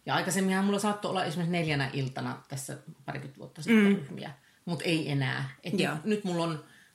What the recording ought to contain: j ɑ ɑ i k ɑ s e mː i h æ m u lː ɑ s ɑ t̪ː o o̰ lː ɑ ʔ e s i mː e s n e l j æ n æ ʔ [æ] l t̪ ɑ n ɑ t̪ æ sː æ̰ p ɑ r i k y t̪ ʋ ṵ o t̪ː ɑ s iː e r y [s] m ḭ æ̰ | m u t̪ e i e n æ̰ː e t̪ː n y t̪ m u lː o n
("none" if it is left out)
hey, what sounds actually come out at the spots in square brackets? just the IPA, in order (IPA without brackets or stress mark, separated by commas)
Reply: i, h